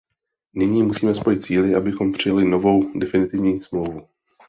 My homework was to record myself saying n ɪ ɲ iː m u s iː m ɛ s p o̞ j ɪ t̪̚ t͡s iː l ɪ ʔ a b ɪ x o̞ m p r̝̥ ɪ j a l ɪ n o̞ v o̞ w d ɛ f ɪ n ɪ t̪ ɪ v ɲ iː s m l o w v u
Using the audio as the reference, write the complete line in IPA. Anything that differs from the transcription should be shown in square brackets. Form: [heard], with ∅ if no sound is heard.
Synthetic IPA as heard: n ɪ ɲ iː m u s iː m ɛ s p o̞ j ɪ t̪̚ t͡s iː l ɪ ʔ a b ɪ x o̞ m p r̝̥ ɪ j a l ɪ n o̞ v o̞ w d ɛ f ɪ n ɪ t̪ ɪ v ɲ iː s m l o w v u